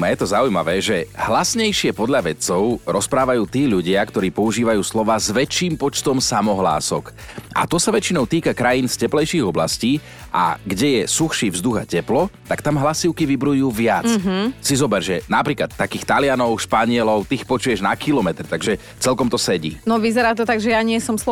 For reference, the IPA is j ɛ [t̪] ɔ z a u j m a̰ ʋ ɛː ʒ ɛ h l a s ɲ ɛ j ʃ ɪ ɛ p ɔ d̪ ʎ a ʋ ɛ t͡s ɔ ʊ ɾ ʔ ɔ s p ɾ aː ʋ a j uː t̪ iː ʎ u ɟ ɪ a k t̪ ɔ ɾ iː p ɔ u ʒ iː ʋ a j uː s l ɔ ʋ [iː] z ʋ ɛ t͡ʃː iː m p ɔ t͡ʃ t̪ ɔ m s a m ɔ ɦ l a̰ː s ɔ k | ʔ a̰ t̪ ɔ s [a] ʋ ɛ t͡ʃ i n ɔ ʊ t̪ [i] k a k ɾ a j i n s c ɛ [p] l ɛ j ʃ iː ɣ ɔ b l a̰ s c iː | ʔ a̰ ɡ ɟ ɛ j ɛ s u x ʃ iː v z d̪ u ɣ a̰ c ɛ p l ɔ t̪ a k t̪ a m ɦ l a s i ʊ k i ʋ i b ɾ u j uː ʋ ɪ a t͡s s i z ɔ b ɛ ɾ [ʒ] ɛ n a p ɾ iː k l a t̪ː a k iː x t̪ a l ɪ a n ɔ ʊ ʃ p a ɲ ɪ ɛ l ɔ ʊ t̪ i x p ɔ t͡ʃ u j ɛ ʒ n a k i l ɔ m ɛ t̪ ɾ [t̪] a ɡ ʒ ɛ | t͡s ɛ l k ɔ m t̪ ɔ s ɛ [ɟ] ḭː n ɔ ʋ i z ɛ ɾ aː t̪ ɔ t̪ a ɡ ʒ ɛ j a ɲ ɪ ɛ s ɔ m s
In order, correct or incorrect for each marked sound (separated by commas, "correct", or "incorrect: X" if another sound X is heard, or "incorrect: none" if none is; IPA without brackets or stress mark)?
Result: correct, incorrect: aː, correct, incorrect: iː, correct, correct, correct, correct